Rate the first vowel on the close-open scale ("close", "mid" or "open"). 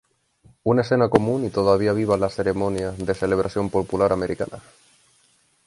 close